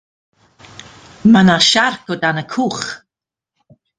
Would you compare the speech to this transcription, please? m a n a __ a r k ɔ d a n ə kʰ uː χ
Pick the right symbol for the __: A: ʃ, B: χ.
A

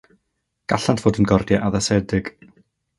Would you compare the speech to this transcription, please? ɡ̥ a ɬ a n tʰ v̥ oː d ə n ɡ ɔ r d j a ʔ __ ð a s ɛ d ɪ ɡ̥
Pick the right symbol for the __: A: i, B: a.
B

